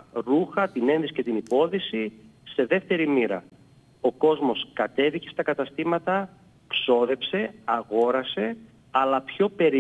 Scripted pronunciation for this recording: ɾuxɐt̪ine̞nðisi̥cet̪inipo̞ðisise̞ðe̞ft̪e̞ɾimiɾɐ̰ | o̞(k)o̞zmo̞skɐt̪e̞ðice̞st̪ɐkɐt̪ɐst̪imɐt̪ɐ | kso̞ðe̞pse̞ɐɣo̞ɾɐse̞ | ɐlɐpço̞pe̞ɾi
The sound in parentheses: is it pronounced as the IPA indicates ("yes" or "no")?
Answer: yes